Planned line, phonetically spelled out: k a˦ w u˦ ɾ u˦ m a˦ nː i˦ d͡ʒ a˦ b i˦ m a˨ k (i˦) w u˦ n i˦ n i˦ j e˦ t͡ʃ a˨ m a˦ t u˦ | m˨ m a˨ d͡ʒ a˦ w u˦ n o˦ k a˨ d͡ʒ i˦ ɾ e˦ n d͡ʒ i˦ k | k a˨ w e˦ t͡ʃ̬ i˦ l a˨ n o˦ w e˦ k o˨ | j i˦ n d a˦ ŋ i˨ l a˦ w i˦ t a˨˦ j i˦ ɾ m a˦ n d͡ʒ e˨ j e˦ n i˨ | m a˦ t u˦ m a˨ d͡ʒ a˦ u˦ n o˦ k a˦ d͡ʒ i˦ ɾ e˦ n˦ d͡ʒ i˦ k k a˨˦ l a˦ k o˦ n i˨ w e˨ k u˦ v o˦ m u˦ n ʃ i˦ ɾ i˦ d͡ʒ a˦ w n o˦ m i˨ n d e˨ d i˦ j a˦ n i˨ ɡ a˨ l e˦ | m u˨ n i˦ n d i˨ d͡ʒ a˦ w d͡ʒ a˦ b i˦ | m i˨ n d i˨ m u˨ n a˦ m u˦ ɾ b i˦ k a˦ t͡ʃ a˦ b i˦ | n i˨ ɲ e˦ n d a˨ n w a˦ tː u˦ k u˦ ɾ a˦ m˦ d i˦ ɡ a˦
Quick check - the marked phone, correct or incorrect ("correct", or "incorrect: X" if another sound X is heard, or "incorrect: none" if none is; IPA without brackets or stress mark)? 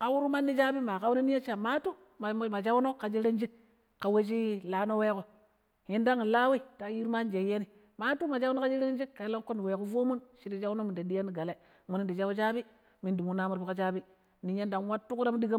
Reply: incorrect: a˦